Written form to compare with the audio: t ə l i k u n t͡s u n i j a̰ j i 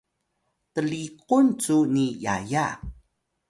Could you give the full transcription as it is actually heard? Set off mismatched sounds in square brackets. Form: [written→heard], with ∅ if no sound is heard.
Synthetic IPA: t ə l i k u n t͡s u n i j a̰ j [i→a]